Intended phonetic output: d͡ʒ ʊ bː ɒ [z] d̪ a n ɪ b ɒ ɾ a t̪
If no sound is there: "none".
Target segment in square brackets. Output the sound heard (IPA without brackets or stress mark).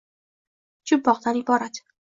ʁ